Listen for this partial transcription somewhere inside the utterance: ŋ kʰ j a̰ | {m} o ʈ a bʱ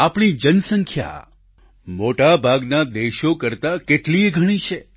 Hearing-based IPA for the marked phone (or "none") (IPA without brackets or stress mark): m